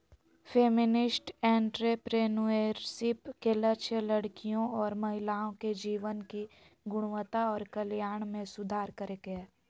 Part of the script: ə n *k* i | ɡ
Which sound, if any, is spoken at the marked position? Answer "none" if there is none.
k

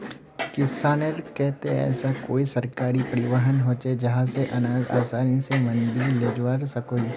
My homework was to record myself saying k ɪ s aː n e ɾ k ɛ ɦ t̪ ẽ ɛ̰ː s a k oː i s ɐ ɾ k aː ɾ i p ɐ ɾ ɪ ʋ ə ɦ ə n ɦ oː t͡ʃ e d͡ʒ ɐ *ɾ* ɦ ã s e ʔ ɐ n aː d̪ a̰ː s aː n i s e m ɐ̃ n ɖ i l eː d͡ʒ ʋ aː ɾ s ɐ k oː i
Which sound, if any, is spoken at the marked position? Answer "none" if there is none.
none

